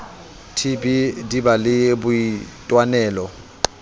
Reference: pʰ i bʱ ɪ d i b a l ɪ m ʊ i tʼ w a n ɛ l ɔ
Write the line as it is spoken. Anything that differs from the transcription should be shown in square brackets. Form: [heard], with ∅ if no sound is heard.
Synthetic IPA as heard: [tʰ] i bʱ [i] d i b a l ɪ [b] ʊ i tʼ w a n [ɛː] l ɔ